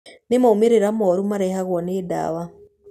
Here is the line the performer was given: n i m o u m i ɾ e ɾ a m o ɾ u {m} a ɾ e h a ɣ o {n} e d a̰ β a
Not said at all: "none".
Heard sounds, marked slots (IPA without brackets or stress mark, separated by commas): m, n